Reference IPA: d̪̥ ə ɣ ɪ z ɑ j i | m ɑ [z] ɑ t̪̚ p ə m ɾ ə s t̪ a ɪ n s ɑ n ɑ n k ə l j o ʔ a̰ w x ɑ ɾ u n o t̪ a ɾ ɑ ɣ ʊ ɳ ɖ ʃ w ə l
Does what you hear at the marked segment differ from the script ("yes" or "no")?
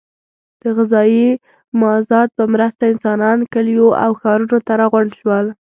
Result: no